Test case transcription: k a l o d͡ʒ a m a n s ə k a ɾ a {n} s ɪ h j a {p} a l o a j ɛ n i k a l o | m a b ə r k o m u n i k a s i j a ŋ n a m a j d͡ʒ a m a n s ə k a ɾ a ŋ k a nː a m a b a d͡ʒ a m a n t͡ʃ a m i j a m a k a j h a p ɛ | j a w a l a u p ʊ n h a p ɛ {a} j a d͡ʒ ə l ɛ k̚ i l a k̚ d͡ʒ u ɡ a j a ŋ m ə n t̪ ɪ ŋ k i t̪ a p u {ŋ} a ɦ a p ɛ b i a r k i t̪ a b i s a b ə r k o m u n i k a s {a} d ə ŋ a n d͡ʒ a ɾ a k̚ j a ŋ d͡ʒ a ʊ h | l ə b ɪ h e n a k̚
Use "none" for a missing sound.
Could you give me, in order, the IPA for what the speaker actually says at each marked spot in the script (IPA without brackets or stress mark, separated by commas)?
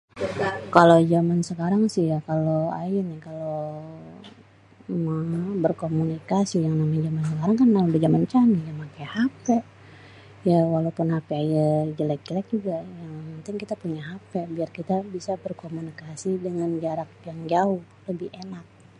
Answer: ŋ, k, a, ɲ, i